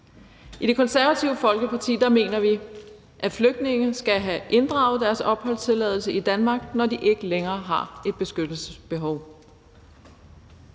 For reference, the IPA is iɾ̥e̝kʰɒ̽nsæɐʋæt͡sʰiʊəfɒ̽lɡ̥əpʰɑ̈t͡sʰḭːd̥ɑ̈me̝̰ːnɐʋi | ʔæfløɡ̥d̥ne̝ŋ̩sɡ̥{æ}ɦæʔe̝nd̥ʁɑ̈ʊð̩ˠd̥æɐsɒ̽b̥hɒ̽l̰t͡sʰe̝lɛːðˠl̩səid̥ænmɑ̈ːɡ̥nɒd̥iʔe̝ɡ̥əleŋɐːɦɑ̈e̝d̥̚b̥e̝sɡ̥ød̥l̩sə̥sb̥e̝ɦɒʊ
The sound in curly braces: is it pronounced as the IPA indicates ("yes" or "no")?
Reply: yes